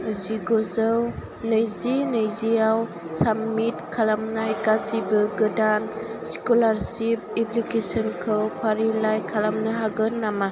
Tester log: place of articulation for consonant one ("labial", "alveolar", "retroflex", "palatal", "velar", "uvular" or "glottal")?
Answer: alveolar